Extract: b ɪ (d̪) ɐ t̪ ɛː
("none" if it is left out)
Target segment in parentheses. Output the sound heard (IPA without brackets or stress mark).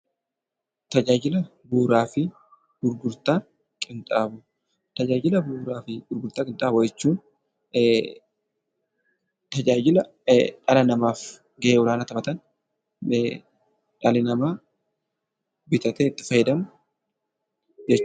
t̪